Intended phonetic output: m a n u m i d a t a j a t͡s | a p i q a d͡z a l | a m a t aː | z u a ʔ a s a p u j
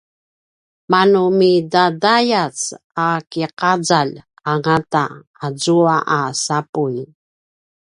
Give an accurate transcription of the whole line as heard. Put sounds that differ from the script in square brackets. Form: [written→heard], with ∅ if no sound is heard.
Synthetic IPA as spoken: m a n u m i d a [t→d] a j a t͡s | a [p→k] i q a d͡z a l | a [m→ŋ] a t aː | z u a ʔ a s a p u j

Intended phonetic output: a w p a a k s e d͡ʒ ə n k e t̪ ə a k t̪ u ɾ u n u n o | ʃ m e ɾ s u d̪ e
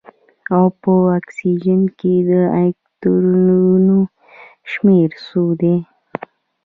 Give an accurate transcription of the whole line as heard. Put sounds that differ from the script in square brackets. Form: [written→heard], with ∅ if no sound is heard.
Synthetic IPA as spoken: a w p [a→ə] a k s [e→i] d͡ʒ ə n k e [t̪→d̪] ə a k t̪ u ɾ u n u n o | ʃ m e ɾ s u d̪ e

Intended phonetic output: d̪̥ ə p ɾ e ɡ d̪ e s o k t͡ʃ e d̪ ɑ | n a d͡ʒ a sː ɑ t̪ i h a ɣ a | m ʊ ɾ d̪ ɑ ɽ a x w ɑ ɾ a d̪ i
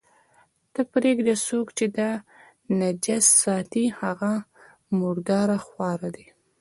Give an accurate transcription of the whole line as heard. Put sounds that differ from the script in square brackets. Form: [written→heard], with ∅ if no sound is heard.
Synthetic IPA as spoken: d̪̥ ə p ɾ e ɡ d̪ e s o k t͡ʃ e d̪ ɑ | n a d͡ʒ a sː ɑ t̪ i h a ɣ a | m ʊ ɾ d̪ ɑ [ɽ→ɾ] a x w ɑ ɾ a d̪ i

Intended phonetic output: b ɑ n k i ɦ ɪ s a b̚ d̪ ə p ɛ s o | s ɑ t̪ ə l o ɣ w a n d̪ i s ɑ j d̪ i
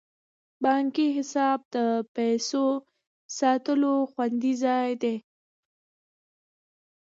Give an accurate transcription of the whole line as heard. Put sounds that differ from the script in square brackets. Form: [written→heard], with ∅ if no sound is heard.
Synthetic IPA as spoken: b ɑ [n→ŋ] k i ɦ ɪ s [a→ɑ] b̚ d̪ ə p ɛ s o | s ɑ t̪ ə l o [ɣ→x] w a n d̪ i [s→z] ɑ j d̪ [i→e]

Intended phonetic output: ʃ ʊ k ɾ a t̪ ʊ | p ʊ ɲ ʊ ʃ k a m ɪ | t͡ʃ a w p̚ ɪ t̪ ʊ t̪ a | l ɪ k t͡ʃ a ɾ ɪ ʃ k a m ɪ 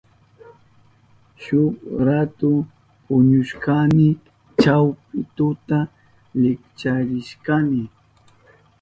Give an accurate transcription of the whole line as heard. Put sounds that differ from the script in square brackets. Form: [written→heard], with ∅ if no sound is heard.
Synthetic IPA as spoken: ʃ ʊ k ɾ a t̪ ʊ | p ʊ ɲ ʊ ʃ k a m ɪ | t͡ʃ a w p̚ ɪ t̪ ʊ t̪ a | l ɪ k t͡ʃ a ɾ ɪ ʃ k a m ɪ

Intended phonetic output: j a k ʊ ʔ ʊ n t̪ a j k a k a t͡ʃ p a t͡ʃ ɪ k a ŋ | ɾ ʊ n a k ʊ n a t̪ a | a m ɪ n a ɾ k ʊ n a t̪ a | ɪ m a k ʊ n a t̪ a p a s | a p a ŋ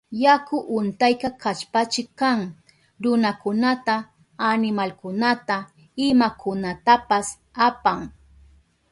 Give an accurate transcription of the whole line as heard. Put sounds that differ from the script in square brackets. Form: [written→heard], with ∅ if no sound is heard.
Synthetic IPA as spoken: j a k ʊ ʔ ʊ n t̪ a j k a k a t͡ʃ p a t͡ʃ ɪ k a ŋ | ɾ ʊ n a k ʊ n a t̪ a | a [m→n] ɪ [n→m] a [ɾ→l] k ʊ n a t̪ a | ɪ m a k ʊ n a t̪ a p a s | a p a ŋ

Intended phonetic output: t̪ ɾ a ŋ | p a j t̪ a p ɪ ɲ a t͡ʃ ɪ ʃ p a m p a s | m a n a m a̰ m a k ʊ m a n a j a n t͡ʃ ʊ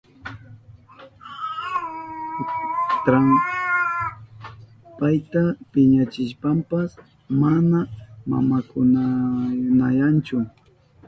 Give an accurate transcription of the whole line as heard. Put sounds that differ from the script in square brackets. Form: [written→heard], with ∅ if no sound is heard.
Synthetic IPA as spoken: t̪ ɾ a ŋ | p a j t̪ a p ɪ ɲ a t͡ʃ ɪ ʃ p a m p a s | m a n a m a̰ m a k ʊ [m→n] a n a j a n t͡ʃ ʊ

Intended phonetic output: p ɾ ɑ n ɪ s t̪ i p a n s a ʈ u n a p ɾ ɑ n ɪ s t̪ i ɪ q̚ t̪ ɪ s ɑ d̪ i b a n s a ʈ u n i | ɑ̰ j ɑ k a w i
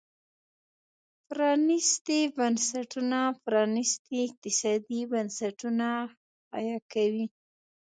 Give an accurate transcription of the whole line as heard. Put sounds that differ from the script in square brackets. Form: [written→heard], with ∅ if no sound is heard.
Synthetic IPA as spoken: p ɾ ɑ n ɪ s t̪ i [p→b] a n s a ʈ u n a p ɾ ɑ n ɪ s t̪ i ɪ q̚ t̪ ɪ s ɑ d̪ i b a n s a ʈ u n [i→a] | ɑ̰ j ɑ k a w i

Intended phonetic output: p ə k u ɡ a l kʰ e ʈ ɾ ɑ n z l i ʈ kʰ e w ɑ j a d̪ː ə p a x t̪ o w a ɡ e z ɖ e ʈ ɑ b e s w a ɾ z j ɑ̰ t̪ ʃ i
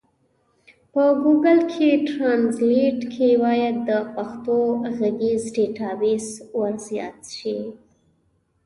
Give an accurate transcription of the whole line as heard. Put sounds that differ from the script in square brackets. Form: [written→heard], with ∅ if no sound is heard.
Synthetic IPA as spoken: p ə [k→ɡ] u ɡ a l kʰ e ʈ ɾ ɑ n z l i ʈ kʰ e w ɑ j a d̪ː ə p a x t̪ o [w→ɣ] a ɡ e z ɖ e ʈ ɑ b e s w a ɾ z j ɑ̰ t̪ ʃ i

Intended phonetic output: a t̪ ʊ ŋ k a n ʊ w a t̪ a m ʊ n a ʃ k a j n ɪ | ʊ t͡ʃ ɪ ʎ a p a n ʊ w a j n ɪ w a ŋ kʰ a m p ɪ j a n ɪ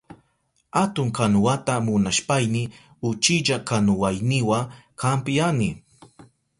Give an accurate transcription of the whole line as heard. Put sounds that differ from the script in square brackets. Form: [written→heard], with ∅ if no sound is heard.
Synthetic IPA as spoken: a t̪ ʊ ŋ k a n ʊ w a t̪ a m ʊ n a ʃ [k→p] a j n ɪ | ʊ t͡ʃ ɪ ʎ a [p→k] a n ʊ w a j n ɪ w a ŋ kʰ a m p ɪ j a n ɪ

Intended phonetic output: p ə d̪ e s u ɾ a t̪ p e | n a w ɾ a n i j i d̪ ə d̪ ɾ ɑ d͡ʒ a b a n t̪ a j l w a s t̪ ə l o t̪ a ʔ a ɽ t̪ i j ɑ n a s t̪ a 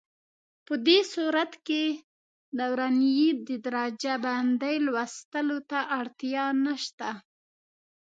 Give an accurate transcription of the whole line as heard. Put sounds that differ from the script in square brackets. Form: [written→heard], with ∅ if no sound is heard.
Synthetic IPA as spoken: p ə d̪ e s u ɾ a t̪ [p→k] e | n a w ɾ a n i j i d̪ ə d̪ ɾ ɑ d͡ʒ a b a n [t̪→d̪] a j l w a s t̪ ə l o t̪ a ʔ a ɽ t̪ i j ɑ n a [s→ʃ] t̪ a

